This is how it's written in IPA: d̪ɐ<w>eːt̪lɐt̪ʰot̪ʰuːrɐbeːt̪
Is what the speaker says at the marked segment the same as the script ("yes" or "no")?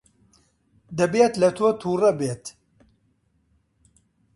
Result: no